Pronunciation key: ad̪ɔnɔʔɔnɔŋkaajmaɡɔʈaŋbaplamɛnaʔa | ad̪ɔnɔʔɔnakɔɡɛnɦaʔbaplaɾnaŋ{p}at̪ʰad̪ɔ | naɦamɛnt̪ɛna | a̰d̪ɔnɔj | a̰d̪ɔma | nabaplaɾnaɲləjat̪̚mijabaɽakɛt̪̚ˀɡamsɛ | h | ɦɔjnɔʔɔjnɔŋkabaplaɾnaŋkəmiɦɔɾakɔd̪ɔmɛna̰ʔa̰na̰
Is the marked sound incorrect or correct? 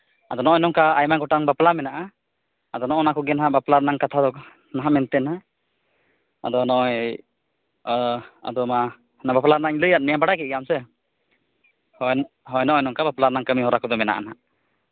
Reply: incorrect: k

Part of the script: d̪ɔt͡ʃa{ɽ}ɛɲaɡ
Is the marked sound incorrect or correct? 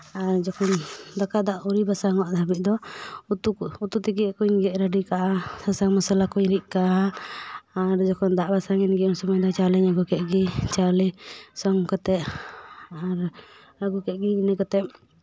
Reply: incorrect: l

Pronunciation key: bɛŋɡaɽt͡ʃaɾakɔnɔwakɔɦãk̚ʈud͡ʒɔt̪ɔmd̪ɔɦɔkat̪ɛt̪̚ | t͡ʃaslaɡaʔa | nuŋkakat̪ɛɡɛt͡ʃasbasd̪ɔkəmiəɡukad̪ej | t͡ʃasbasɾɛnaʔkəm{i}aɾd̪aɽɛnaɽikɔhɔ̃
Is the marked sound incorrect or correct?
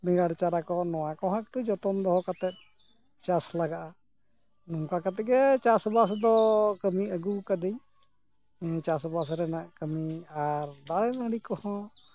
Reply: correct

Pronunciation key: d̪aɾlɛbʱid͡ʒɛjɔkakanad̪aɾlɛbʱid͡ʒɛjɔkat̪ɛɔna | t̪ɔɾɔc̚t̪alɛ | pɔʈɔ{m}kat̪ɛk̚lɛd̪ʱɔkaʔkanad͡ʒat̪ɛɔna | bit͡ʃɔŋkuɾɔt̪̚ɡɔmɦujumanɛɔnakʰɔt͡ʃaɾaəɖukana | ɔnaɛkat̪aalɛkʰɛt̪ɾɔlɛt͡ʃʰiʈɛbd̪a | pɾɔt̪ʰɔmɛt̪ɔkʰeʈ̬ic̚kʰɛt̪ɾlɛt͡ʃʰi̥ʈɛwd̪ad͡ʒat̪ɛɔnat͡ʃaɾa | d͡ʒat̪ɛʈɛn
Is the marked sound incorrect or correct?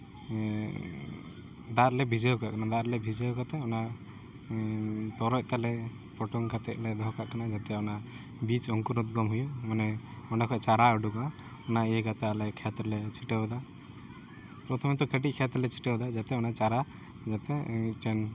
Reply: incorrect: ŋ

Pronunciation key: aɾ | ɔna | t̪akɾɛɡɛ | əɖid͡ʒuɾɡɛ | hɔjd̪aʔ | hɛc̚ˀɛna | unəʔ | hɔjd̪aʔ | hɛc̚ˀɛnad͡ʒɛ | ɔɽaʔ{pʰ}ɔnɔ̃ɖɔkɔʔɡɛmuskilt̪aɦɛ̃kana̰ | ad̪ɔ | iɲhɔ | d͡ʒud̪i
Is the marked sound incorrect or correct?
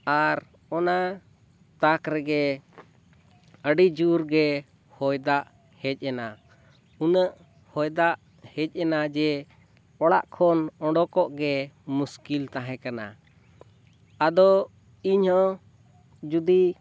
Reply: incorrect: kʰ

